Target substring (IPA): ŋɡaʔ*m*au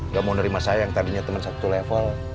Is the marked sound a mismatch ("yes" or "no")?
no